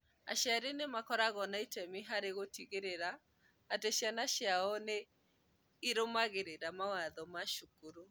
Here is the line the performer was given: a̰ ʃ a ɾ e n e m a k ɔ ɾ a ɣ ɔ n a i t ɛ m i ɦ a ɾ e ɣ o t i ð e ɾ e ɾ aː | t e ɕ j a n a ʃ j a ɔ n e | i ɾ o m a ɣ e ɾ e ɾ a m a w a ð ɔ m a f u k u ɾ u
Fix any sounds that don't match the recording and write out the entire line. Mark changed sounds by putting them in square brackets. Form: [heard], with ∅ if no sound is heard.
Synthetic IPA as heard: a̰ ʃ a ɾ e n e m a k ɔ ɾ a ɣ ɔ n a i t ɛ m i ɦ a ɾ e ɣ o t i [ɣ] e ɾ e ɾ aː | t e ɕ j a n a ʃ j a ɔ n e | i ɾ o m a ɣ e ɾ e ɾ a m a w a ð ɔ m a [ʃ] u k u ɾ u